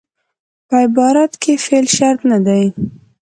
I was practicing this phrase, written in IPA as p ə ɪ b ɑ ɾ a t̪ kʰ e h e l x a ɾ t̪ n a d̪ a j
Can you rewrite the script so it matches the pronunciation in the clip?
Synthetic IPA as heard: p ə ɪ b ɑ ɾ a t̪ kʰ e f e l ʃ a ɾ t̪ n a d̪ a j